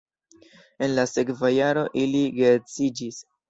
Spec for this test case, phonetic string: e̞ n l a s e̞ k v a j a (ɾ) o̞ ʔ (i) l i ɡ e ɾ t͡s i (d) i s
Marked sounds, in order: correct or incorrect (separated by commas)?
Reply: correct, correct, incorrect